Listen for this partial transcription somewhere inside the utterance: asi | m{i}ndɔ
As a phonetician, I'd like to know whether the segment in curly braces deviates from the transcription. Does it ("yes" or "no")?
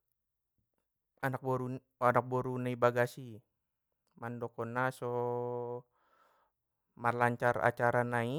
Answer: yes